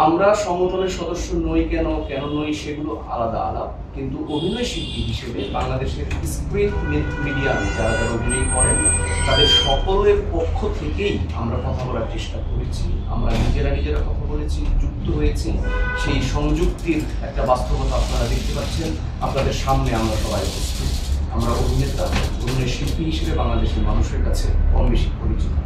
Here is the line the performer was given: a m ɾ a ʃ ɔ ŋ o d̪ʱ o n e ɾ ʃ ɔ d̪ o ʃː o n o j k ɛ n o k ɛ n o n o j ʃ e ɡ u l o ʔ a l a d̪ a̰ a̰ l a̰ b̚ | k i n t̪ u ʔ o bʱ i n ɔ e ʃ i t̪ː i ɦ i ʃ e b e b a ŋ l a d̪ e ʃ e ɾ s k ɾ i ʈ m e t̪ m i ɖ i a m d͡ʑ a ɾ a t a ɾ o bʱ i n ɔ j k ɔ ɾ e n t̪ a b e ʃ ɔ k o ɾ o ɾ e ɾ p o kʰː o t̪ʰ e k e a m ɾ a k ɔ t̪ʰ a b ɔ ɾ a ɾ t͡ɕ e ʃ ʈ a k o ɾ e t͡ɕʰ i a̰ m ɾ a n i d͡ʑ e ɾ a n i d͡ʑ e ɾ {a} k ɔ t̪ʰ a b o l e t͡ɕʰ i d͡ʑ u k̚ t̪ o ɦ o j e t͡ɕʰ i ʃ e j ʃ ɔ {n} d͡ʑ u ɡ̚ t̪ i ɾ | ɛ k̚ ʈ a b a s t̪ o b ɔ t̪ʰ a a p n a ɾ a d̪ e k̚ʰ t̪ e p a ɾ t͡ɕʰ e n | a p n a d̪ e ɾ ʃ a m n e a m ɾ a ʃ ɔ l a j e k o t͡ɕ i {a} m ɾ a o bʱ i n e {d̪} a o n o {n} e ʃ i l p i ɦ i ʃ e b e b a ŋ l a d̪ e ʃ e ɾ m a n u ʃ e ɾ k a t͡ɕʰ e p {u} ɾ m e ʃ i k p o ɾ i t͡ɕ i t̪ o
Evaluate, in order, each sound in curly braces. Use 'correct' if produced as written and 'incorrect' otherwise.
correct, incorrect, correct, incorrect, correct, incorrect

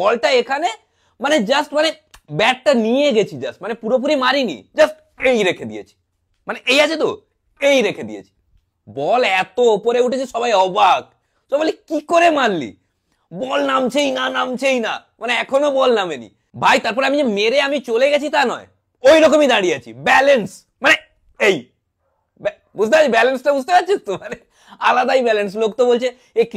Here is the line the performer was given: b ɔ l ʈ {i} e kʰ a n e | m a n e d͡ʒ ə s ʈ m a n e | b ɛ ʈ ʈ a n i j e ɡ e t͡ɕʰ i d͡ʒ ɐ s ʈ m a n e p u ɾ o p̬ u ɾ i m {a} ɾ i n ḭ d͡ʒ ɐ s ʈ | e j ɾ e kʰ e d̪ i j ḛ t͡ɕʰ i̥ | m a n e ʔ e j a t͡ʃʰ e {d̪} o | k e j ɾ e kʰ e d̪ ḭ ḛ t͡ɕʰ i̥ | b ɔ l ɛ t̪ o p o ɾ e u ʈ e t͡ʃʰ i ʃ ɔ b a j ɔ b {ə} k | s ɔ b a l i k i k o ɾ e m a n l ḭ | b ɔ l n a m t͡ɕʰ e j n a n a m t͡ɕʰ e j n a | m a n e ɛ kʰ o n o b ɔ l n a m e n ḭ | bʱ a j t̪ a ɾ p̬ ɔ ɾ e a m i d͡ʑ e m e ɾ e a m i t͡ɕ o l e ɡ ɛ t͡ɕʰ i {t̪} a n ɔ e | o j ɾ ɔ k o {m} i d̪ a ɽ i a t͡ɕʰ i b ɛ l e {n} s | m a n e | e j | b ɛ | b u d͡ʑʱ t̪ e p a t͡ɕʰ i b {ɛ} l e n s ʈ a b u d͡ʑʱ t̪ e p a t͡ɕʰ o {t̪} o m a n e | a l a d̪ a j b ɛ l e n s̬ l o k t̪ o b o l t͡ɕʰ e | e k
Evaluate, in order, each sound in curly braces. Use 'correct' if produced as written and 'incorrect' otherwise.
incorrect, correct, incorrect, incorrect, correct, correct, correct, correct, correct

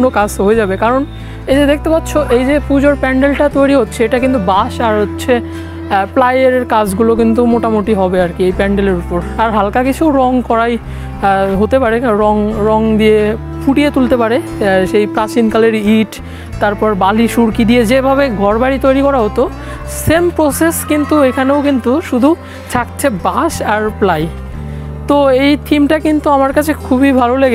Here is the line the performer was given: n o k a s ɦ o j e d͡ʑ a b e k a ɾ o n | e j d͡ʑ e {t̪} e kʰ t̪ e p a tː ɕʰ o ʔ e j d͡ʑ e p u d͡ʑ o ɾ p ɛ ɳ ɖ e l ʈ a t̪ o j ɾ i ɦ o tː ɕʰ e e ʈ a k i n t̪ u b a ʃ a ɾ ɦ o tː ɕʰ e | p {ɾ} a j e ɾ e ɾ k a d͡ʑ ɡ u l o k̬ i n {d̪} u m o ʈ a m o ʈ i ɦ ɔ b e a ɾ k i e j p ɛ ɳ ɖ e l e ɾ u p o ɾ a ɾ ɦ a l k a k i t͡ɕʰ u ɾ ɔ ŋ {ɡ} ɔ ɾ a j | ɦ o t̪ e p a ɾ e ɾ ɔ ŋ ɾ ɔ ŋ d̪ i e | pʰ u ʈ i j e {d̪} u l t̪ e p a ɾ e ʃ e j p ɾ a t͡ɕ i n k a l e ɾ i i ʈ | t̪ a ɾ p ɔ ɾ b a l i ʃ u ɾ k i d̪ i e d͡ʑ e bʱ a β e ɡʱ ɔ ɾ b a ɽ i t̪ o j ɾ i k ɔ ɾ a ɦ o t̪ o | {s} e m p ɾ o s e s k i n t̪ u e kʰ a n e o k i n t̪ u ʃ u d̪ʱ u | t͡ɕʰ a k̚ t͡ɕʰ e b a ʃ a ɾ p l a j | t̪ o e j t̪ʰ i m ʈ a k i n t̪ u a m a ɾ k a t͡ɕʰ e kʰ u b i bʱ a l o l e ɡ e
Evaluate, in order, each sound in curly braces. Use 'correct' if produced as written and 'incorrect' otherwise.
incorrect, incorrect, incorrect, incorrect, incorrect, correct

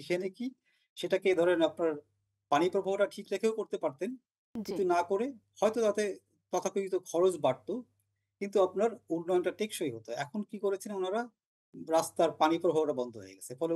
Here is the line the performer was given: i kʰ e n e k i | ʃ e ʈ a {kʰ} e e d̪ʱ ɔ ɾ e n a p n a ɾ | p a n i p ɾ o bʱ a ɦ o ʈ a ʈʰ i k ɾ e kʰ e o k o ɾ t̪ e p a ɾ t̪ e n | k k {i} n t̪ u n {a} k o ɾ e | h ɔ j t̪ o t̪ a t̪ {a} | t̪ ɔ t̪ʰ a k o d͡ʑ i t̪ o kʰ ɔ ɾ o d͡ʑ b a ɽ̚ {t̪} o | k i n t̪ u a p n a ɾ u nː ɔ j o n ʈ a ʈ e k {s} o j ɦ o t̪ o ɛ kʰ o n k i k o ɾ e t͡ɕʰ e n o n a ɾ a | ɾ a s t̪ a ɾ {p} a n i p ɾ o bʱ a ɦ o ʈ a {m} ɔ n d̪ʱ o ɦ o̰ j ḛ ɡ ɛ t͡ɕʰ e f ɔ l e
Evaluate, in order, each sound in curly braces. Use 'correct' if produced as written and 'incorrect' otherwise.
incorrect, correct, correct, incorrect, correct, incorrect, correct, incorrect

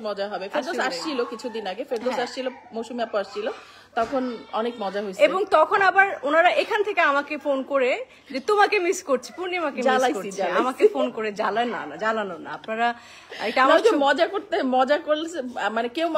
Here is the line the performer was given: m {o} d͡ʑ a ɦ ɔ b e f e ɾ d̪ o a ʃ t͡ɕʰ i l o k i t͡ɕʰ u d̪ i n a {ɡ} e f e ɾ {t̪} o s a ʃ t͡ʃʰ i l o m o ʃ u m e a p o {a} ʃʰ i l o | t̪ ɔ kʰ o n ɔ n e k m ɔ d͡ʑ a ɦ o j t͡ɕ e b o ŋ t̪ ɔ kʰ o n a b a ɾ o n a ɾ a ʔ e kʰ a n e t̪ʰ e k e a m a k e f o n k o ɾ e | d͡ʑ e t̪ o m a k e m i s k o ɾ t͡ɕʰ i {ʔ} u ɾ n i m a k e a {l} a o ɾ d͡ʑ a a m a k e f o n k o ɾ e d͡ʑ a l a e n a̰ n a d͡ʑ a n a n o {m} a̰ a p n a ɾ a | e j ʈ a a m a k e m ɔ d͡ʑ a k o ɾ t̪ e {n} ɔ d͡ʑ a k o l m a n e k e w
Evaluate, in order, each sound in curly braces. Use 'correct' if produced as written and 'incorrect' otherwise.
incorrect, correct, incorrect, correct, incorrect, correct, incorrect, incorrect

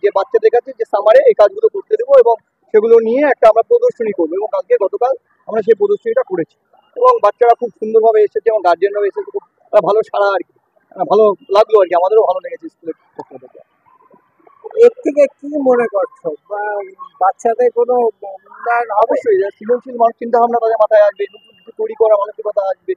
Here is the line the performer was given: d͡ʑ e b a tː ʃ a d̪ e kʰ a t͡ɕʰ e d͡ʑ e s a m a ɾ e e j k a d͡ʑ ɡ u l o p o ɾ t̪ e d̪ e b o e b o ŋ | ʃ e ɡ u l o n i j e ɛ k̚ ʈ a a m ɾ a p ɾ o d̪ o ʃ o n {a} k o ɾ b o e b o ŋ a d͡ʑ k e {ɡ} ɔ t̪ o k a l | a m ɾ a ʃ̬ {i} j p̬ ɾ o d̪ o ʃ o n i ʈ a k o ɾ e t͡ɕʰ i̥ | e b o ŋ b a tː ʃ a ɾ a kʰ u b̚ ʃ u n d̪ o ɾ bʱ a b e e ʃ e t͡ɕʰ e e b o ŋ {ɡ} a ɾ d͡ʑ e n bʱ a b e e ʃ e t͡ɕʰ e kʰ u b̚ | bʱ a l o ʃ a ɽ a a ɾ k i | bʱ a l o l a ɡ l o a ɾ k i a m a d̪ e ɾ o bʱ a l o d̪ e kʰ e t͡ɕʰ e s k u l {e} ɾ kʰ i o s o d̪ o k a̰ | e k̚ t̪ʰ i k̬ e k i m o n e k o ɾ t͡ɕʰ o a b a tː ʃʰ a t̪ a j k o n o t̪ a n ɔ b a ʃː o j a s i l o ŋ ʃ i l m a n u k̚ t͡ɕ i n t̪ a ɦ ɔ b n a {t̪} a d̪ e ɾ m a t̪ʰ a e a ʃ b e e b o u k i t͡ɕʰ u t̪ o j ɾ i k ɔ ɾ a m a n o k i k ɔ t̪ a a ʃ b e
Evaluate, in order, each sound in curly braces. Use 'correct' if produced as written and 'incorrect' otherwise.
incorrect, correct, incorrect, correct, correct, correct

